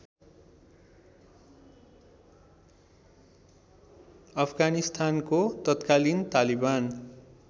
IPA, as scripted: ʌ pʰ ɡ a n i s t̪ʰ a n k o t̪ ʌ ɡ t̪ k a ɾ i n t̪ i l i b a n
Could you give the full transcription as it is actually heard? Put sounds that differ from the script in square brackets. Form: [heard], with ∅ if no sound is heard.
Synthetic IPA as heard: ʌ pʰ ɡ a n i s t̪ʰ a n k o t̪ ʌ [∅] t̪ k a [l] i n t̪ [a] l i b a n